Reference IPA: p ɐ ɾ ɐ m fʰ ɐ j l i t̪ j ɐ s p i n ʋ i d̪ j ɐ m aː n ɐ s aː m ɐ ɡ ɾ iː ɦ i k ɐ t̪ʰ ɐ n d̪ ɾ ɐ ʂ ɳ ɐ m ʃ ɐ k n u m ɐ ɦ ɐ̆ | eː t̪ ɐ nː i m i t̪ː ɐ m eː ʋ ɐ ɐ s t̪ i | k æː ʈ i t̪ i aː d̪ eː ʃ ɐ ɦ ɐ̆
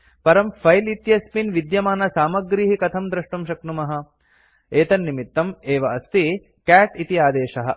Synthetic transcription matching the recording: p ɐ ɾ ɐ m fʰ ɐ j l i t̪ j ɐ s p i n ʋ i d̪ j ɐ m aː n ɐ s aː m ɐ ɡ ɾ iː ɦ i k ɐ t̪ʰ ɐ m d̪ ɾ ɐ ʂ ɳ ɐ m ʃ ɐ k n u m ɐ ɦ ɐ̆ | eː t̪ ɐ nː i m i t̪ː ɐ m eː ʋ ɐ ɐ s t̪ i | k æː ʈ i t̪ i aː d̪ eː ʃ ɐ ɦ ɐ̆